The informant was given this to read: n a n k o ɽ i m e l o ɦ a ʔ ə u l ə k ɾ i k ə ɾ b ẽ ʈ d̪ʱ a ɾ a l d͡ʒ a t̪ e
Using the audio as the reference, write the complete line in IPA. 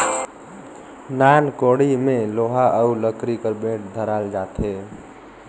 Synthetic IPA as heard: n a n k o ɽ i m e l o ɦ a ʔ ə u l ə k ɾ i k ə ɾ b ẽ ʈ d̪ʱ ə ɾ a l d͡ʒ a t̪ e